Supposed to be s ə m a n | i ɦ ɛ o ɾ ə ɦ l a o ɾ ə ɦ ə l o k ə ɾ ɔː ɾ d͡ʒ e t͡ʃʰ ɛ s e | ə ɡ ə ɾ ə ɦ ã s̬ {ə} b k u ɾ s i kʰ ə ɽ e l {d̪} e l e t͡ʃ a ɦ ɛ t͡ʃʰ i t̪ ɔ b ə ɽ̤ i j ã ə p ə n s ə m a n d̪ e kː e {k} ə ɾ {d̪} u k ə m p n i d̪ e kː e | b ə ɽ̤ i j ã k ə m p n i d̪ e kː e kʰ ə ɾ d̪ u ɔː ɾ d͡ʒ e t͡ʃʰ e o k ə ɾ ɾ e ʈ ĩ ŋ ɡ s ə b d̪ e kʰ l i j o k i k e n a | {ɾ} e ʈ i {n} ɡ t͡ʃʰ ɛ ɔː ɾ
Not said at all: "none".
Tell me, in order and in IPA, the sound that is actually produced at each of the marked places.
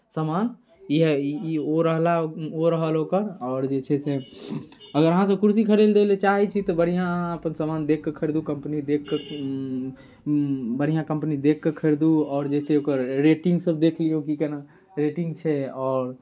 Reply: ə, d̪, kʰ, d̪, ɾ, ŋ

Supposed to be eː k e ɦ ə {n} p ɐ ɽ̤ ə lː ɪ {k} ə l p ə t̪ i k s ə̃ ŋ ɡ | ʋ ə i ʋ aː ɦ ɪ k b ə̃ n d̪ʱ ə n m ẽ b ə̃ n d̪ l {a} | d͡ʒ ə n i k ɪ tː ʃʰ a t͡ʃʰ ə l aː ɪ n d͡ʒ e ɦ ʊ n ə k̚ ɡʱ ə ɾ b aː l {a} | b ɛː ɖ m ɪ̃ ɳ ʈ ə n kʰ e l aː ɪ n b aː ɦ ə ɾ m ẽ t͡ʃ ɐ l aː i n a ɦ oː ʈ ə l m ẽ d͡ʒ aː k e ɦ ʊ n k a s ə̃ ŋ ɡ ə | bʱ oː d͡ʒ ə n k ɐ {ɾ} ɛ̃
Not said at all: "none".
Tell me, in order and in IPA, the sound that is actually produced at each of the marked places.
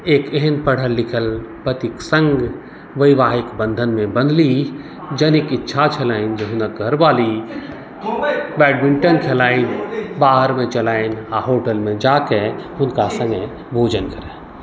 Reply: n, kʰ, i, i, ɾ

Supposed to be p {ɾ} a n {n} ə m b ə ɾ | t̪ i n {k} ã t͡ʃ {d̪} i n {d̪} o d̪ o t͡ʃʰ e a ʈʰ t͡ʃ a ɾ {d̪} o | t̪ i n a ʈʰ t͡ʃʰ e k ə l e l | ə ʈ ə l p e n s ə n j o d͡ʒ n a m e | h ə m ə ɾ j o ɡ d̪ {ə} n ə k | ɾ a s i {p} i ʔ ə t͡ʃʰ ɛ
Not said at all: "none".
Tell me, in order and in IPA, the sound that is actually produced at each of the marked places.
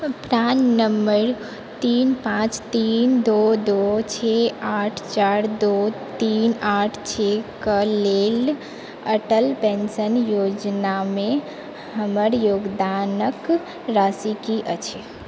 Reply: ɾ, n, p, t̪, d̪, d̪, a, k

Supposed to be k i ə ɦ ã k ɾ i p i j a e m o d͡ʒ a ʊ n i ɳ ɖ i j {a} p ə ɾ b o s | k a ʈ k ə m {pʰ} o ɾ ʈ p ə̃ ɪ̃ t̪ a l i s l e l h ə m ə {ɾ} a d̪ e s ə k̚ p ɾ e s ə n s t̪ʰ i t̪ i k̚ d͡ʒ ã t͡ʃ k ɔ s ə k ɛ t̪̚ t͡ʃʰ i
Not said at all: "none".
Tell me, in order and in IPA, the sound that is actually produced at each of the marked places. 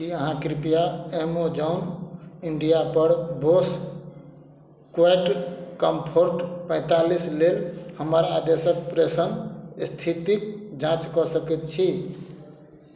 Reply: a, pʰ, ɾ

